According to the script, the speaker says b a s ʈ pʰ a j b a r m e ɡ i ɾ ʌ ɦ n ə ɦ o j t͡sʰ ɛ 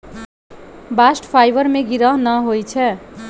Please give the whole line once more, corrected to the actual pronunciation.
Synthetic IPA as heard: b a s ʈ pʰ a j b ʌ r m e ɡ i ɾ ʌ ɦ n ʌ ɦ o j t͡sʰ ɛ

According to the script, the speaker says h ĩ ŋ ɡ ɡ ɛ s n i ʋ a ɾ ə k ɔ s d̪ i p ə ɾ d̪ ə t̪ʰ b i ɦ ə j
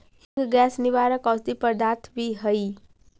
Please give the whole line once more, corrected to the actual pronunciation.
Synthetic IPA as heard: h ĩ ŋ ɡ ɡ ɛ s n i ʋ a ɾ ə k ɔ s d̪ i p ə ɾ d̪ a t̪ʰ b i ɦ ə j

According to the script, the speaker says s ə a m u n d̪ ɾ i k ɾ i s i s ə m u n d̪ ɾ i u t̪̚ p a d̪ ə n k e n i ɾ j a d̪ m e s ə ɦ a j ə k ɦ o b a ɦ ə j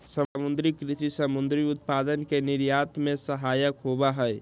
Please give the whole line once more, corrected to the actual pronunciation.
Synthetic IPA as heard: s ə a m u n d̪ ɾ i k ɾ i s i s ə m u n d̪ ɾ i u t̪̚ p a d̪ ə n k e n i ɾ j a t̪ m e s ə ɦ a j ə k ɦ o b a ɦ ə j

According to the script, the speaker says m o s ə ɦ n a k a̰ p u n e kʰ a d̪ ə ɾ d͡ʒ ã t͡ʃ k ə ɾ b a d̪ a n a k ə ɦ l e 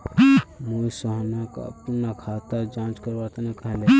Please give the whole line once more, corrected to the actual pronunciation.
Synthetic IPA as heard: m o s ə ɦ n a k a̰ p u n a kʰ a t̪ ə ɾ d͡ʒ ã t͡ʃ k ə ɾ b a t̪ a n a k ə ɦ l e

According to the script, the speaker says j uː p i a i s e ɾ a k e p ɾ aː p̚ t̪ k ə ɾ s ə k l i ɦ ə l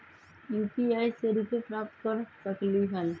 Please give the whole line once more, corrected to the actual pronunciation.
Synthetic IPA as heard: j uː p i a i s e ɾ i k e p ɾ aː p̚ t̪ k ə ɾ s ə k l i ɦ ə l

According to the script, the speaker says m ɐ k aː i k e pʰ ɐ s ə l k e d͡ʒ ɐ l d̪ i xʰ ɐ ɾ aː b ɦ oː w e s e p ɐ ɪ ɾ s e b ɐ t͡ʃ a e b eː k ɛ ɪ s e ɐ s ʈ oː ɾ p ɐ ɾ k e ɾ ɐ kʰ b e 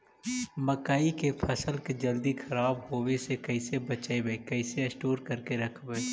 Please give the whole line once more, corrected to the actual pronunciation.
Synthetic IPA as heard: m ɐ k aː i k e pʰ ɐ s ə l k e d͡ʒ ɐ l d̪ i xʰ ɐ ɾ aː b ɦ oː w e s e k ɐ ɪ s e b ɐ t͡ʃ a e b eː k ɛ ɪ s e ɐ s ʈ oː ɾ k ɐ ɾ k e ɾ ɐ kʰ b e

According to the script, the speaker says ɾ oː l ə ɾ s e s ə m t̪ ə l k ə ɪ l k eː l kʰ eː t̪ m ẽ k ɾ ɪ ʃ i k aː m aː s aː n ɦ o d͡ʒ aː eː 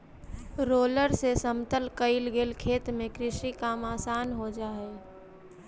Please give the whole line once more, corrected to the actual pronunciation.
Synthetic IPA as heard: ɾ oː l ə ɾ s e s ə m t̪ ə l k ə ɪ l ɡ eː l kʰ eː t̪ m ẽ k ɾ ɪ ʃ i k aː m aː s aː n ɦ o d͡ʒ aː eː

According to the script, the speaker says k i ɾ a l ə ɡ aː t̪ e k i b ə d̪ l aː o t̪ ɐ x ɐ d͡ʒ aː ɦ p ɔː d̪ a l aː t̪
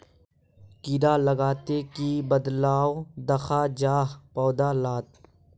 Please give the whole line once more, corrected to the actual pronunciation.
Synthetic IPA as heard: k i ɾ a l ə ɡ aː t̪ e k i b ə d̪ l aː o d̪ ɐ x a d͡ʒ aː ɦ p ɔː d̪ a l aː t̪

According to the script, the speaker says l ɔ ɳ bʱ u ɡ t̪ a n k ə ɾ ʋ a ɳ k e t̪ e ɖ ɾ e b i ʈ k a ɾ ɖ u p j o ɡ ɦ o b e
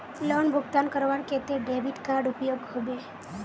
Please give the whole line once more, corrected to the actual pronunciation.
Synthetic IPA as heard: l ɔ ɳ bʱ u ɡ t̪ a n k ə ɾ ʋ a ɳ k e t̪ e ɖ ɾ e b i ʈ k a ɾ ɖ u p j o ɡ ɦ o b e

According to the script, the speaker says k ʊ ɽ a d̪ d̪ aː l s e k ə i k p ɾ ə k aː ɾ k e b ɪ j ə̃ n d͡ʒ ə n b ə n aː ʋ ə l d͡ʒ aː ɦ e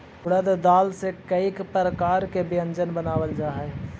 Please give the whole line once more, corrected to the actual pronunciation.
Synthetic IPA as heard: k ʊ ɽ ə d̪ d̪ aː l s e k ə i k p ɾ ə k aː ɾ k e b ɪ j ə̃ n d͡ʒ ə n b ə n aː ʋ ə l d͡ʒ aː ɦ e

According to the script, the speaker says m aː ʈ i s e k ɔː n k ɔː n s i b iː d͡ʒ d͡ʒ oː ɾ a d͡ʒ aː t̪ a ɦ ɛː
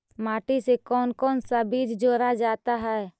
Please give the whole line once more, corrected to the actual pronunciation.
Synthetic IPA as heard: m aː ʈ i s e k ɔː n k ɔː n s a b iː d͡ʒ d͡ʒ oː ɾ a d͡ʒ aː t̪ a ɦ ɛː

